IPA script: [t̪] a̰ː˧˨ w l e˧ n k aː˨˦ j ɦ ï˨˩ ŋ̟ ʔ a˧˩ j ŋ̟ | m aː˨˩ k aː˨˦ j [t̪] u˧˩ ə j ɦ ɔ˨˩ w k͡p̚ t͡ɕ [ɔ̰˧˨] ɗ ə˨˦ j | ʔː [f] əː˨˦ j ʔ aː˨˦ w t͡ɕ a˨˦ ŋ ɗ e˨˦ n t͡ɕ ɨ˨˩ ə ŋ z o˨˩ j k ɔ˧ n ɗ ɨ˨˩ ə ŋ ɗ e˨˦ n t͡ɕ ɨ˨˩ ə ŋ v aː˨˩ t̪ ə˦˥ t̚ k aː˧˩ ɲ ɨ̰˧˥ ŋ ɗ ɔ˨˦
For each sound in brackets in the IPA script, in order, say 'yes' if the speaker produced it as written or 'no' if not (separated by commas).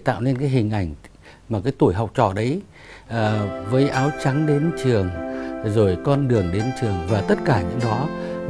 yes, yes, yes, no